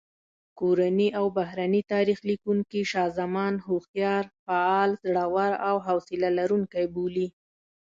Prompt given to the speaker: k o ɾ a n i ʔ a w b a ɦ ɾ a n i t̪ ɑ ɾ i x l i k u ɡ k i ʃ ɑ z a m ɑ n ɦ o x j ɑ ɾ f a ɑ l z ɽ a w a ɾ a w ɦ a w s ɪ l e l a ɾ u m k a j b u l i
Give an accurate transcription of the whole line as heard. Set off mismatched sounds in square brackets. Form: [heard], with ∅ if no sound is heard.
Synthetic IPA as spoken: k o ɾ a n i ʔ a w b a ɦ ɾ a n i t̪ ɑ ɾ i x l i k u [ŋ] k i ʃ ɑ z a m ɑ n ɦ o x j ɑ ɾ f a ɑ l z ɽ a w a ɾ a w ɦ a w s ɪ l [a] l a ɾ u [ŋ] k a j b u l i